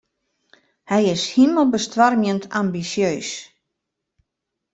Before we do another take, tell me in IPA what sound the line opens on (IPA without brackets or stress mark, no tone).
h